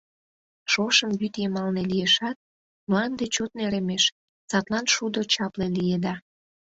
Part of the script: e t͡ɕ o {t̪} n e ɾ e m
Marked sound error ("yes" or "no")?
no